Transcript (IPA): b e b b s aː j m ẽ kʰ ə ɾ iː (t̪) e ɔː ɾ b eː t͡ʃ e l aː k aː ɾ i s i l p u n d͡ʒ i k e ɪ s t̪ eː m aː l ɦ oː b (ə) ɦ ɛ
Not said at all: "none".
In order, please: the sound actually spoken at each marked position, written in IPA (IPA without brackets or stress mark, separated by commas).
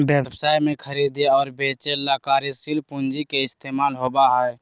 d̪, a